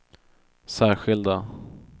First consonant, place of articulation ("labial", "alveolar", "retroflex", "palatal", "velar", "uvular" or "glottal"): alveolar